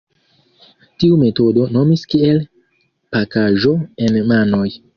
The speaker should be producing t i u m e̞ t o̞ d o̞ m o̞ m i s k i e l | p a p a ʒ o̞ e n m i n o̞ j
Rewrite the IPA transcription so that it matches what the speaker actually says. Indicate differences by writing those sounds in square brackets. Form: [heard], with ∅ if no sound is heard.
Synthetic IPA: t i u m e̞ t o̞ d o̞ [n] o̞ m i s k i e l | p a [k] a ʒ o̞ e n m [a] n o̞ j